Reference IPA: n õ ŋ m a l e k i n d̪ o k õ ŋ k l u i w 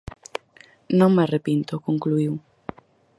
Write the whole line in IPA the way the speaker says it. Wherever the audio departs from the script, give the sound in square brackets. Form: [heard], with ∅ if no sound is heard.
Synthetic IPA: n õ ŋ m a [r] e [p] i n [t̪] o k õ ŋ k l u i w